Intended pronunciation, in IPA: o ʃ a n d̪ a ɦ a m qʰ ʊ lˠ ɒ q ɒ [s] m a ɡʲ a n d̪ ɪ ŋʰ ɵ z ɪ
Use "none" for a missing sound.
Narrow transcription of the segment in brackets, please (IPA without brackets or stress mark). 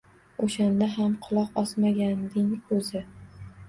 s